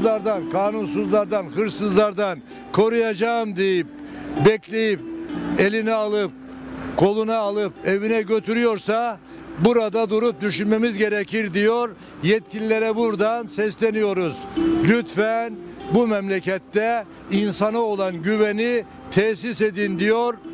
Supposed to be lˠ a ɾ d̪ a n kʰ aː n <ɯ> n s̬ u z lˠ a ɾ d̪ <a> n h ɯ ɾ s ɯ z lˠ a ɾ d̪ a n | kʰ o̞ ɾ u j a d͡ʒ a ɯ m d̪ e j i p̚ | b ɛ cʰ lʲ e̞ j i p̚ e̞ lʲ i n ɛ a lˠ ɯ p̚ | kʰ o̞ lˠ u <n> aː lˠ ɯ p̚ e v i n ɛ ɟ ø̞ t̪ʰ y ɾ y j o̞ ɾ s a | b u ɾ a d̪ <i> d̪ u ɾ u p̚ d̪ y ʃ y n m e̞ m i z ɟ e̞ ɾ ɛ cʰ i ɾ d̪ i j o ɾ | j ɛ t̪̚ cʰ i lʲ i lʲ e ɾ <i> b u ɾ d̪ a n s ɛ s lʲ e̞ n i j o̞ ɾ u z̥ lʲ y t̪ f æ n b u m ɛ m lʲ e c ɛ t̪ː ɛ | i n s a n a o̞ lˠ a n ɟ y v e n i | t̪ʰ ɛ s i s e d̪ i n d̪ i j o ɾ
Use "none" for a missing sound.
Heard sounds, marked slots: u, a, n, a, ɛ

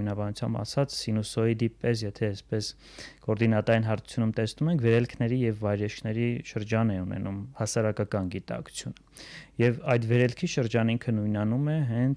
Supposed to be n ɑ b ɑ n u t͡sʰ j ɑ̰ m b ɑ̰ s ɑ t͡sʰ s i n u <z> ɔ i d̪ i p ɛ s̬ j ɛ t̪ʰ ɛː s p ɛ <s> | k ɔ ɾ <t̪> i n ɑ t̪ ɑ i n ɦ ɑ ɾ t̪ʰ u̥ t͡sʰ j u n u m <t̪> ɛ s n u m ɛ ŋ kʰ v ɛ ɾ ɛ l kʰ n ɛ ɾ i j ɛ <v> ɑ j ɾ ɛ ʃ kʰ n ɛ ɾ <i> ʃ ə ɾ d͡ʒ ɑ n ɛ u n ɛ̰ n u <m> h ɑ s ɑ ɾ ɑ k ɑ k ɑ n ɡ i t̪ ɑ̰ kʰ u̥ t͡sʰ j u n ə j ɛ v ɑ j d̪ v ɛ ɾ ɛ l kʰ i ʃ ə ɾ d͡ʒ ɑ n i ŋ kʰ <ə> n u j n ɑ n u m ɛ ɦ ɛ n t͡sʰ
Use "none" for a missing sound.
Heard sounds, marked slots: s, s, d̪, t̪, vː, i, m, ə

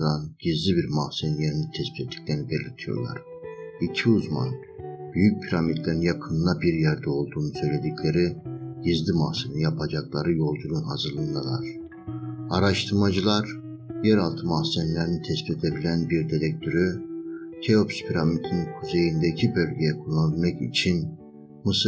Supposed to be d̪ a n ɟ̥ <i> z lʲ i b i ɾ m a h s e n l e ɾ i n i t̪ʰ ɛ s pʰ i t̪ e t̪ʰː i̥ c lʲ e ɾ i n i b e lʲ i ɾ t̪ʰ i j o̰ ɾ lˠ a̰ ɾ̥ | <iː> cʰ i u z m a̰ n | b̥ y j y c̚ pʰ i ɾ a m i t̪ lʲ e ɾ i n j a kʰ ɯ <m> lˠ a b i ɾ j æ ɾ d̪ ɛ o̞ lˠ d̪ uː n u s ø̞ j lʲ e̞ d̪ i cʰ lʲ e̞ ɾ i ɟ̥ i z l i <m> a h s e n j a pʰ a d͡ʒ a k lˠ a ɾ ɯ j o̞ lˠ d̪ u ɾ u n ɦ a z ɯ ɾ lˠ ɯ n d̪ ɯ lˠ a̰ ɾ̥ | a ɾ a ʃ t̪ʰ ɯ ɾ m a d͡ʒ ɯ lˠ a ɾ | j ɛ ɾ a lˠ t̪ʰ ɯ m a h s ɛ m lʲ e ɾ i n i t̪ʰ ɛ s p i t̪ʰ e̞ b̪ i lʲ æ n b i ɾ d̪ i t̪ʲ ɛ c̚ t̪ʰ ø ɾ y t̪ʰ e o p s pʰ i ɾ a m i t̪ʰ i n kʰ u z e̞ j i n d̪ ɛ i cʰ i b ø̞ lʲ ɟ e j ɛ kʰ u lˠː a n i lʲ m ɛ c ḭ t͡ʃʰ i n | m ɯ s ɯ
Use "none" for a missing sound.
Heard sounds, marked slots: i, i, n, m

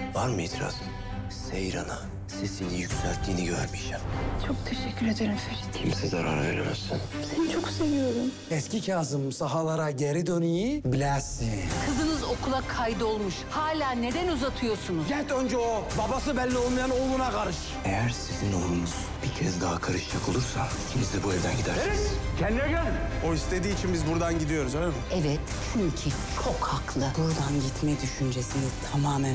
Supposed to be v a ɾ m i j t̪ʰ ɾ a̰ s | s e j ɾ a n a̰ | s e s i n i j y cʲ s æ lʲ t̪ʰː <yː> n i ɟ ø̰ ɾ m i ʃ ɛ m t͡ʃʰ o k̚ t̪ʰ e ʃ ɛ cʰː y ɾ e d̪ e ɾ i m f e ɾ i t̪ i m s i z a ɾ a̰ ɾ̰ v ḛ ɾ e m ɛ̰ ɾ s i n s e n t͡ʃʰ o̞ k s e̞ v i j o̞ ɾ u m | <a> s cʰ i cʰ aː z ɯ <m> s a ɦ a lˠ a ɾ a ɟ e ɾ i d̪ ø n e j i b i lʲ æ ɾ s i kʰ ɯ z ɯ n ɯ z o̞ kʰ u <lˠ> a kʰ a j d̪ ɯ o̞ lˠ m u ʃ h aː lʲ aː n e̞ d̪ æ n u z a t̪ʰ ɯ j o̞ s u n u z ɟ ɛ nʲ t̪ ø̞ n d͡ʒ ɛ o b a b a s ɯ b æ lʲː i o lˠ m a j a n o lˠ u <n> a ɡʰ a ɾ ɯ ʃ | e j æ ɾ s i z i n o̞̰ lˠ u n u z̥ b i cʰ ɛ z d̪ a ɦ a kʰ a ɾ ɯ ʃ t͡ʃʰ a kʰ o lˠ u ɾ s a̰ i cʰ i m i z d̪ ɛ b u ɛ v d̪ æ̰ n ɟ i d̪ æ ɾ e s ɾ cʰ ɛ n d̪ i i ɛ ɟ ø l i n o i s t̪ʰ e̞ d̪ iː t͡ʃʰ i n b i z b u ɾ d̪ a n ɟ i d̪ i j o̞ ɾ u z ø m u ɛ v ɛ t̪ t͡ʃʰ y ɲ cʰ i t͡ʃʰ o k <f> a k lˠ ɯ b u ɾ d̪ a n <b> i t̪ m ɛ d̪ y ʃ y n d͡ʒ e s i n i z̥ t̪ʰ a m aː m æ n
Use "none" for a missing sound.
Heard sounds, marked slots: iː, ɛ, m, lˠ, n, h, ɟ

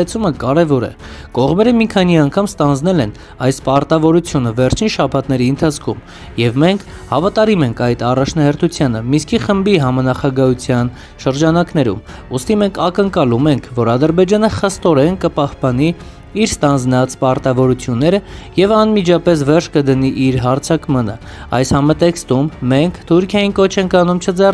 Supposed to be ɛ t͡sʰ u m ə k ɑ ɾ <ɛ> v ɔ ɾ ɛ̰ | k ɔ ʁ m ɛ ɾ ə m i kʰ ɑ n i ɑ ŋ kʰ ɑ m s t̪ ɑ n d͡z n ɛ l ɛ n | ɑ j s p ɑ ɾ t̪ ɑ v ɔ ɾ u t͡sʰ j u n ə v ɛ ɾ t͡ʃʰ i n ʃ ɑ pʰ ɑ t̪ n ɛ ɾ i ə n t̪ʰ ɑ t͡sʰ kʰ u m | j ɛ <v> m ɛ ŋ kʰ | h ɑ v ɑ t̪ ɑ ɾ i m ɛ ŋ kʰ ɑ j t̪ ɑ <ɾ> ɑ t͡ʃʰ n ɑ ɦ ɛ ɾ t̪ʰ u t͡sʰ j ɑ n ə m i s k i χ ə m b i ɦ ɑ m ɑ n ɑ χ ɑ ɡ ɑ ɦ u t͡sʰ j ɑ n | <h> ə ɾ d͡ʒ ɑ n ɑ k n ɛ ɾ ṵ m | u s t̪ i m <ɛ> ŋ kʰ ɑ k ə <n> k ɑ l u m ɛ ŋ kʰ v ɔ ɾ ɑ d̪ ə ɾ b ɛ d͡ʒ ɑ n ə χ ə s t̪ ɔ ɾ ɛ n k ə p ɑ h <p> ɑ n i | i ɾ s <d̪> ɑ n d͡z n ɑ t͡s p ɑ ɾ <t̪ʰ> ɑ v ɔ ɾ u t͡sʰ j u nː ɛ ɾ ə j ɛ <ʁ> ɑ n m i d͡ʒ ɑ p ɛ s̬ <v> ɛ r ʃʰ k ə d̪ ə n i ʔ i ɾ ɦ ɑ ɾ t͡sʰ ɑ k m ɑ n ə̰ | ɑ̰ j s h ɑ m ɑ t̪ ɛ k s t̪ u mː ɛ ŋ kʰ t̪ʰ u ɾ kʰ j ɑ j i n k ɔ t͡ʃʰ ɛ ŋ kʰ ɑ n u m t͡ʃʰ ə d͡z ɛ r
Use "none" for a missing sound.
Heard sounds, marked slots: ɛ, v, r, ʃ, ɛ, ŋ, p, t̪, t̪, v, v

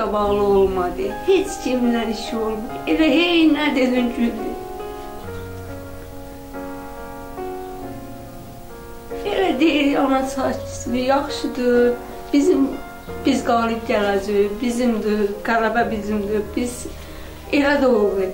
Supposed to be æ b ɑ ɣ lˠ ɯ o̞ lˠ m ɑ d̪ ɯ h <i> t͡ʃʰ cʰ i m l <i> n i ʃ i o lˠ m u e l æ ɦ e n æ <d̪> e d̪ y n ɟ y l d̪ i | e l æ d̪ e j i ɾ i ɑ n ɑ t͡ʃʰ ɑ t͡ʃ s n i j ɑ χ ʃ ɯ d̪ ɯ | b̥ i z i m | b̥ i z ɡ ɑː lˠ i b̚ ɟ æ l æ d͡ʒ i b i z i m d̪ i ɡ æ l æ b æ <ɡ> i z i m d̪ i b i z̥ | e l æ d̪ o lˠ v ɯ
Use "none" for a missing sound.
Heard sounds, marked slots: e, æ, d̪, b

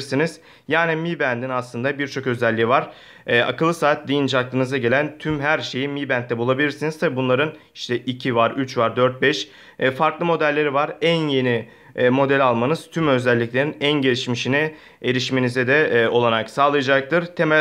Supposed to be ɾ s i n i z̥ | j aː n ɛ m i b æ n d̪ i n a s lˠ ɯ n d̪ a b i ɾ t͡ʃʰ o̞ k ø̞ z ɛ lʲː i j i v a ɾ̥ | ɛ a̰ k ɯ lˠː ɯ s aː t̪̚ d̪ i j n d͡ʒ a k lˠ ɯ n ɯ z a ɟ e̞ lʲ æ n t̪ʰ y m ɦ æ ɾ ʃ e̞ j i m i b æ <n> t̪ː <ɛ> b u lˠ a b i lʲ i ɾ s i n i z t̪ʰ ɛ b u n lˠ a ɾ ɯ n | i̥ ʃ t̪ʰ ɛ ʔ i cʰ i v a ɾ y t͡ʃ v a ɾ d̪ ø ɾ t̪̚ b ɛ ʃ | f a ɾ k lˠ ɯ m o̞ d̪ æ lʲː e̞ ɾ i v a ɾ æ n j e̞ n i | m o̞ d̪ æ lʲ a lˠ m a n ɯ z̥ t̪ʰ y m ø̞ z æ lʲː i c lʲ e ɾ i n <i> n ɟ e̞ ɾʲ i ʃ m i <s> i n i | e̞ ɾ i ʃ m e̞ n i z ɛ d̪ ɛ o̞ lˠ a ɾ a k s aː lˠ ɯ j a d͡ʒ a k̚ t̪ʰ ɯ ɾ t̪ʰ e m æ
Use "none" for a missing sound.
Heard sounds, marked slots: n, ɛ, æ, ʃ

